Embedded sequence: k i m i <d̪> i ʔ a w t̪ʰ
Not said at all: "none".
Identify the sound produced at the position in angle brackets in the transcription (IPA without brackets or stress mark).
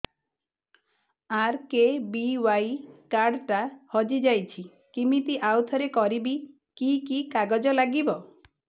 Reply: t̪